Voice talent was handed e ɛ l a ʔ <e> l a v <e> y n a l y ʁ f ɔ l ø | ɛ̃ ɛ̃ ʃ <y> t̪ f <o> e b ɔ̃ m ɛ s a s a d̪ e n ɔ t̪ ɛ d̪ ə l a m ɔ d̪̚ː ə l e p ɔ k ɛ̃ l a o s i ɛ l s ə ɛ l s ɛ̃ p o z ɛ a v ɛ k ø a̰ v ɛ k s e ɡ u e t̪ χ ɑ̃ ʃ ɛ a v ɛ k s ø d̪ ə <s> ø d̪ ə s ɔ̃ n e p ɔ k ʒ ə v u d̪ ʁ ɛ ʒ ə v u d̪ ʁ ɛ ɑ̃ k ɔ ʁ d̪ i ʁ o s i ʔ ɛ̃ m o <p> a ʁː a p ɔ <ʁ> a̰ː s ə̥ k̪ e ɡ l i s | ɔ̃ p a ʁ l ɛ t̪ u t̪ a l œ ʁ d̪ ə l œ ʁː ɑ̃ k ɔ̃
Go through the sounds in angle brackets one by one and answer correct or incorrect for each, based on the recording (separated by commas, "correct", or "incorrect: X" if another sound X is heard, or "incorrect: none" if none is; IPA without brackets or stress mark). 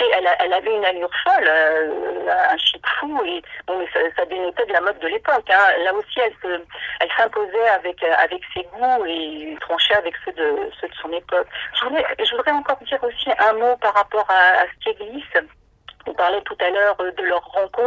incorrect: ɛ, incorrect: ɛ, incorrect: i, incorrect: u, correct, correct, correct